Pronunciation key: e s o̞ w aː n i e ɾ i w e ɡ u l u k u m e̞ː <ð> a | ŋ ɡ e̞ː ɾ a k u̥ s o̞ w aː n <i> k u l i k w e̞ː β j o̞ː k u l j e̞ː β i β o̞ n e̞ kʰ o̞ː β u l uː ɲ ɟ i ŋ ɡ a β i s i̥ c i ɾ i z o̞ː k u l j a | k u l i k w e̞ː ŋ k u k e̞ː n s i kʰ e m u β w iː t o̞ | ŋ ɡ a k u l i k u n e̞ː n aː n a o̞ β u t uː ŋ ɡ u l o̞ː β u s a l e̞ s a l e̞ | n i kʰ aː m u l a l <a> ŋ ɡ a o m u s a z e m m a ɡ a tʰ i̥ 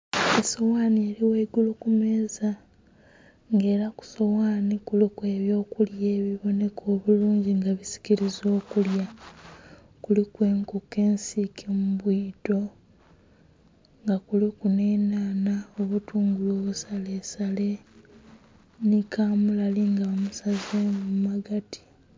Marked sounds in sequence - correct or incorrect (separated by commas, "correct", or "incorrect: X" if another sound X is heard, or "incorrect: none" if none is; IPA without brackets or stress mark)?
incorrect: z, correct, incorrect: i